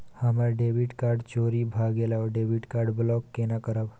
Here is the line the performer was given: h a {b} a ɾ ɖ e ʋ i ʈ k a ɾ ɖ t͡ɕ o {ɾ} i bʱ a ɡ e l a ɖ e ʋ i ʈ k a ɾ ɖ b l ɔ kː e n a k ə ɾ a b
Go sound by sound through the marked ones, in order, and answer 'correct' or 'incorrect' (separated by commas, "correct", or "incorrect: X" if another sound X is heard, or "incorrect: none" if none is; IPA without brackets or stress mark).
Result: incorrect: m, correct